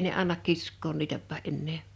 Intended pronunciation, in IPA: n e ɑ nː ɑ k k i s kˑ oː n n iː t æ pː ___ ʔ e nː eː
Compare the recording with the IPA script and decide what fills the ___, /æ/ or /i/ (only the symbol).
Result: æ